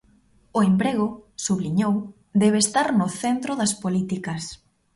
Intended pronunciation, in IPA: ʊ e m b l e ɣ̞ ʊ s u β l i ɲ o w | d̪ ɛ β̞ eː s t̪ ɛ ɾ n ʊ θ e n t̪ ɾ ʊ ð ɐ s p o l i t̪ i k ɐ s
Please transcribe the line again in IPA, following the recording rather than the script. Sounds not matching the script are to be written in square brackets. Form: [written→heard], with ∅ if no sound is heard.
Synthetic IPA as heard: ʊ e m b [l→ɾ] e ɣ̞ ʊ s u β l i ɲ o w | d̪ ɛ β̞ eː s t̪ [ɛ→a] ɾ n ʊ θ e n t̪ ɾ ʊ ð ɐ s p o l i t̪ i k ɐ s